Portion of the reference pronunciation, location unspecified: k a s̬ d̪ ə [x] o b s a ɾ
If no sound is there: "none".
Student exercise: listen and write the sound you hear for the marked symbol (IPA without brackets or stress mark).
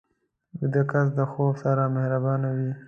x